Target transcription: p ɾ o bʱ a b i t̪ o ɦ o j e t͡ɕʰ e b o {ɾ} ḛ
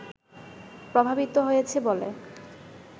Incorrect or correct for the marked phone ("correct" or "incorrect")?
incorrect